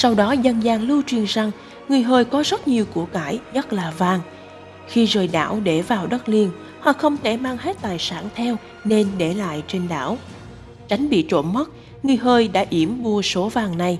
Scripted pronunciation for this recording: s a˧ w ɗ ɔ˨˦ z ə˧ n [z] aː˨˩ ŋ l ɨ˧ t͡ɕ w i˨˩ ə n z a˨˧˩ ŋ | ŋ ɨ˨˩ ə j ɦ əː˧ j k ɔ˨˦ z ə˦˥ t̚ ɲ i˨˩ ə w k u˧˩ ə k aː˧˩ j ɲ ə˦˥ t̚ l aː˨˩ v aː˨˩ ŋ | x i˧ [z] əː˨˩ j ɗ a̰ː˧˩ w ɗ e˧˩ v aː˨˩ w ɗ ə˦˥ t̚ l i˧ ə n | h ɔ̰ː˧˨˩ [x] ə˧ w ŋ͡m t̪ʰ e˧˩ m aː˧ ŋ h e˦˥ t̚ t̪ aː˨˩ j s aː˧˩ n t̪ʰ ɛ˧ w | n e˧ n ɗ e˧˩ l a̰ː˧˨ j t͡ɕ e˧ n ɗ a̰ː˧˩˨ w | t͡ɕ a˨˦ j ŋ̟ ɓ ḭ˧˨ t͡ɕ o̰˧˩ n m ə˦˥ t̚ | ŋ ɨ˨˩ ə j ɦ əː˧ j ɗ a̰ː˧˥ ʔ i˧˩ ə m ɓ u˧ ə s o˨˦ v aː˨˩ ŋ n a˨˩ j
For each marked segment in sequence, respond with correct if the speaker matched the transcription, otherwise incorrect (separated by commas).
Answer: correct, correct, correct